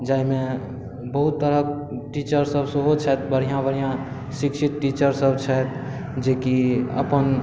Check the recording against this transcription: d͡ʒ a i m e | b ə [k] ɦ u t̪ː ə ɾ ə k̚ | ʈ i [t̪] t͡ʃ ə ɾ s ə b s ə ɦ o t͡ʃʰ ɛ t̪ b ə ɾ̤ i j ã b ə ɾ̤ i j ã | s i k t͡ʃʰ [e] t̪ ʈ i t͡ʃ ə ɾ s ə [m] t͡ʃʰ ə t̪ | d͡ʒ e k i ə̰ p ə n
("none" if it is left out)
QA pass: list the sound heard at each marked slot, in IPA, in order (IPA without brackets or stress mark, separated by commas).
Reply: none, none, i, b